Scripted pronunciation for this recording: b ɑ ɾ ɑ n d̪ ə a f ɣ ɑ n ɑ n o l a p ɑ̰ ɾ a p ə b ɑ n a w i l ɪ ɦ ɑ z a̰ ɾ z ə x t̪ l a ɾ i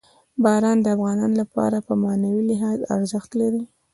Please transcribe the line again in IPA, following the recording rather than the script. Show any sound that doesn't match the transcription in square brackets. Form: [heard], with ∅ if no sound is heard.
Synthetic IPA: b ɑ ɾ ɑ n d̪ ə a f ɣ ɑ n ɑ n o l a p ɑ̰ ɾ a p ə [m] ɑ n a w i l ɪ ɦ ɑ z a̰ ɾ z ə x t̪ l a ɾ i